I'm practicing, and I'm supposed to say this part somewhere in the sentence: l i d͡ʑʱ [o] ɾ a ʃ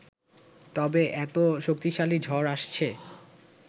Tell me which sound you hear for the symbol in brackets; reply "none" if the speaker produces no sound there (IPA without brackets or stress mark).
ɔ